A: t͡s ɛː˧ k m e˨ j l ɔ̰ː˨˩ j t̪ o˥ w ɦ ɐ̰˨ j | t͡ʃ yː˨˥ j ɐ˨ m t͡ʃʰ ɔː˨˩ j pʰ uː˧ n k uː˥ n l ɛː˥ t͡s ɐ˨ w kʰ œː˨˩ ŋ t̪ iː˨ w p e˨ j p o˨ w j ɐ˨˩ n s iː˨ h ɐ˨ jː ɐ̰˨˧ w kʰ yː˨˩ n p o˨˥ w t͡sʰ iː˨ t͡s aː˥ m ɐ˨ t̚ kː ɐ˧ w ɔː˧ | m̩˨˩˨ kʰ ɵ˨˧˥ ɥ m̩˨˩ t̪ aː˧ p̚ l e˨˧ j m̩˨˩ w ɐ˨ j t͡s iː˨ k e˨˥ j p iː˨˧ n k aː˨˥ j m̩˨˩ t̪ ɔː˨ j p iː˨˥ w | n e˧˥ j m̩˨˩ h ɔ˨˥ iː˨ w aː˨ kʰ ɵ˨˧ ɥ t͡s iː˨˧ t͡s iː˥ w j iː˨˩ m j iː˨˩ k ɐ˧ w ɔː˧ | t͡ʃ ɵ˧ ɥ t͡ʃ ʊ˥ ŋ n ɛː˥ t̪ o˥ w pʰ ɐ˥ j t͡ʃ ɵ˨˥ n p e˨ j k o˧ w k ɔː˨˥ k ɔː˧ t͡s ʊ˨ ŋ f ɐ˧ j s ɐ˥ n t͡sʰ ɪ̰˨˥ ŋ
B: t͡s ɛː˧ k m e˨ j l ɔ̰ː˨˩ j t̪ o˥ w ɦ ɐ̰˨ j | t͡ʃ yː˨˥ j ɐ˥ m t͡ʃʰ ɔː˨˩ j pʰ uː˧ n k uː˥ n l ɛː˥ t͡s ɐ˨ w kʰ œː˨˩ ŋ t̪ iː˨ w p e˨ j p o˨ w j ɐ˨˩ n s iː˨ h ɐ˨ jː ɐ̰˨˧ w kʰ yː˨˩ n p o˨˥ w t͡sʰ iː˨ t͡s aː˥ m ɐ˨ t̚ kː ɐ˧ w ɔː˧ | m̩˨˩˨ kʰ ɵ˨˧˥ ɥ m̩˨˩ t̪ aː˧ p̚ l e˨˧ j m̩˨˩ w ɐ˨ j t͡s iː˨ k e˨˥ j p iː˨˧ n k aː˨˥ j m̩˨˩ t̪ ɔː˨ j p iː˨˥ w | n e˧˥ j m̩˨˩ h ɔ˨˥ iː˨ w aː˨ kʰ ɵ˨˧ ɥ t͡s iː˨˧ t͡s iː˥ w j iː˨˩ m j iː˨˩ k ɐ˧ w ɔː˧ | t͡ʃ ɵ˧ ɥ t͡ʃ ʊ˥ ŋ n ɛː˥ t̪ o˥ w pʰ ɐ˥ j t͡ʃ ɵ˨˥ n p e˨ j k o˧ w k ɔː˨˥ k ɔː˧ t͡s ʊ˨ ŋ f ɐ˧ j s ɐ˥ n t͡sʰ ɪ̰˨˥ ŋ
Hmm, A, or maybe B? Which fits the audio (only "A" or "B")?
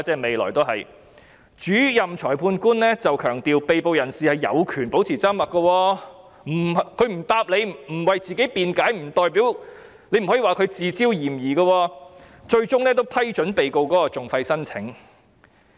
A